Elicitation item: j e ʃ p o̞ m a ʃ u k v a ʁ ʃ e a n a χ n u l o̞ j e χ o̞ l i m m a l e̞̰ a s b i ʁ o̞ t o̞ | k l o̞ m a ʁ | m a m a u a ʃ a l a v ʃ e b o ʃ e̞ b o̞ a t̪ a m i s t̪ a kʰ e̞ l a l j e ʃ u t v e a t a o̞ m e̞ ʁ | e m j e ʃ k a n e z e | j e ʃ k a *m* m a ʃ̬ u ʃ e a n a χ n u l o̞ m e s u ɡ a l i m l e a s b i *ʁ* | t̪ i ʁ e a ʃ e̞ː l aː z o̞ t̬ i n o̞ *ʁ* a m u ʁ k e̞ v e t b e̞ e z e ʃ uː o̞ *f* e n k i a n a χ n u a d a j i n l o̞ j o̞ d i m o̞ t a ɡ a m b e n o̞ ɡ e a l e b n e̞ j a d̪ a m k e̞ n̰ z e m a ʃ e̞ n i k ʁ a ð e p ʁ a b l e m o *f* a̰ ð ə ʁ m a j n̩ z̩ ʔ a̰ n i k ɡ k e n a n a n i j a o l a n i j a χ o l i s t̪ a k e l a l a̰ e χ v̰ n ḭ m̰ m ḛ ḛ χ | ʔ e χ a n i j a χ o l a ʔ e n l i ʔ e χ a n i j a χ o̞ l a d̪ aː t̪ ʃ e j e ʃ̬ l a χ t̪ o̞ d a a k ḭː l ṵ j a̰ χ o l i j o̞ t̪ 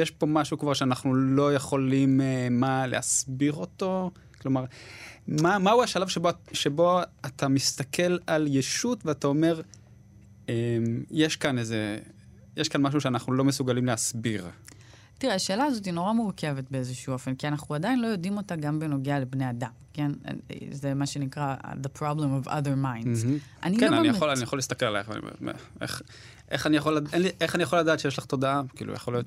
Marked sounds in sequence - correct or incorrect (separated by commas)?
incorrect, correct, correct, correct, incorrect